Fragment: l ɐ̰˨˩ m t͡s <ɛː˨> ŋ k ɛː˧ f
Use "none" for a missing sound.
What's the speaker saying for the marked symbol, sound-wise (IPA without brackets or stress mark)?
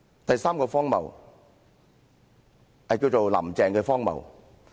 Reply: ɛː˨